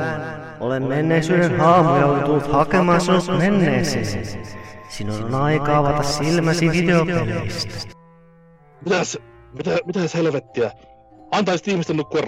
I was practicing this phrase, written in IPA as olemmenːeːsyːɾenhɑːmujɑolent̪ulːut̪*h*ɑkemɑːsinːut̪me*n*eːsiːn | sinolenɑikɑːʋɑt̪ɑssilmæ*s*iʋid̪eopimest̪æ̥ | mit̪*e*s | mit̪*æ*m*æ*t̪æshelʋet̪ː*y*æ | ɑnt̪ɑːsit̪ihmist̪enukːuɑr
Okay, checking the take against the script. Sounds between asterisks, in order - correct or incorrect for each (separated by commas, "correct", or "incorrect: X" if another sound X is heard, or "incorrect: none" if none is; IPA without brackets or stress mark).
correct, incorrect: nː, correct, incorrect: æ, correct, incorrect: i, incorrect: i